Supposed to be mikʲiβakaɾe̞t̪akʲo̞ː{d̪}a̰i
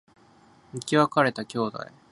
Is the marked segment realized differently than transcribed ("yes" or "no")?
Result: no